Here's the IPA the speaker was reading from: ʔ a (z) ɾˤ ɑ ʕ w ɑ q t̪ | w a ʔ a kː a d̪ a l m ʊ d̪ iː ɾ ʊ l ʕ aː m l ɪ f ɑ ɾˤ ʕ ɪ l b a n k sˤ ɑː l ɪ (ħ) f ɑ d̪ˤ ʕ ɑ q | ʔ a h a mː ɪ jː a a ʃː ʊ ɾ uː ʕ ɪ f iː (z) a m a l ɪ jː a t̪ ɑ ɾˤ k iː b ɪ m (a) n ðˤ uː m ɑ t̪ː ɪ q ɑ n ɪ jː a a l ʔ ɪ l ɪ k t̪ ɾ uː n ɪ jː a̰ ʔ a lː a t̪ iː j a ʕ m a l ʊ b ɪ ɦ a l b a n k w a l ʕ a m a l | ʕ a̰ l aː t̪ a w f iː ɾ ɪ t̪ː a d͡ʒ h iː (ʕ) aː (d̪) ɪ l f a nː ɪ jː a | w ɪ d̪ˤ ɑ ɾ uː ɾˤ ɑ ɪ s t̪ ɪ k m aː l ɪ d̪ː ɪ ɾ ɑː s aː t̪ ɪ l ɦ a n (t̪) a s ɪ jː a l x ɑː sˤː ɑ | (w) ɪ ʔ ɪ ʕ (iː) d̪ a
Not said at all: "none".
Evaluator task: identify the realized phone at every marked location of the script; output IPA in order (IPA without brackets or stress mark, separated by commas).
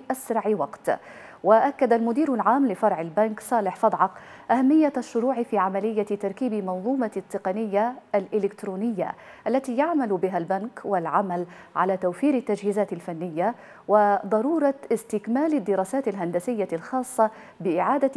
s, ħ, ʕ, ɑ, z, t̪, d̪, b, aː